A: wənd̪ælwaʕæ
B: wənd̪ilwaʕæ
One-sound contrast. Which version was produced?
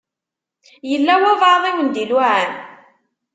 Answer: B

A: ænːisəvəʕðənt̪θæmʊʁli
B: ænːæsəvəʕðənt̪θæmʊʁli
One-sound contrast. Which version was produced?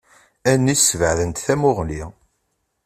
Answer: A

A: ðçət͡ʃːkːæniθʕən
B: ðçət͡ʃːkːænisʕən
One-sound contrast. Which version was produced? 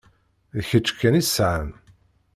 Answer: B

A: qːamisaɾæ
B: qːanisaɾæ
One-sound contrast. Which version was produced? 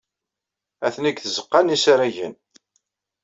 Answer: B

